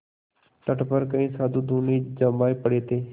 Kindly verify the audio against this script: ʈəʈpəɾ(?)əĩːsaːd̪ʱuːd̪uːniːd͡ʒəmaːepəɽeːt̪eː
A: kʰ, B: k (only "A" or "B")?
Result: B